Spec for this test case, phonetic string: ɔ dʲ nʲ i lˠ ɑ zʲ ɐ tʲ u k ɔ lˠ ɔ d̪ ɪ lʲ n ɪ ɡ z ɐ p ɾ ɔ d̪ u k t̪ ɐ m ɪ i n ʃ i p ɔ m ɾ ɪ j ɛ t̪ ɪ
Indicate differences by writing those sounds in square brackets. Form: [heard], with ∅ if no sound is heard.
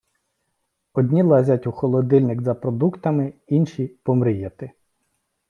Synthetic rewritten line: ɔ dʲ nʲ i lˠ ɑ zʲ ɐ tʲ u [x] ɔ lˠ ɔ d̪ ɪ lʲ n ɪ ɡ z ɐ p ɾ ɔ d̪ u k t̪ ɐ m ɪ i n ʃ i p ɔ m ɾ ɪ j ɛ t̪ ɪ